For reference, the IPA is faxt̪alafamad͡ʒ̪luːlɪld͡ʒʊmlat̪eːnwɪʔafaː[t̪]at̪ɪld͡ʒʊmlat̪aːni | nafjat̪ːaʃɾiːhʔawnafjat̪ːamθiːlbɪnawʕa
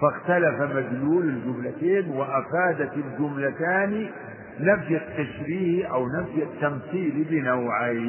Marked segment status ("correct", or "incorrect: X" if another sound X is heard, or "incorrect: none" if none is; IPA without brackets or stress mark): incorrect: d̪